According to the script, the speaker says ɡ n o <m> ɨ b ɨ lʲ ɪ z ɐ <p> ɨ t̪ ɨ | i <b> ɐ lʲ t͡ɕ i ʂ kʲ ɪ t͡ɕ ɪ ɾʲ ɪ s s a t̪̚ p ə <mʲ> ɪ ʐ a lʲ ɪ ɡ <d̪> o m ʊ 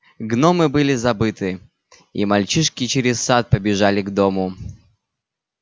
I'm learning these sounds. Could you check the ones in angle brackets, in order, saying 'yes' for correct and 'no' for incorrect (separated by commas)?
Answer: yes, no, no, no, yes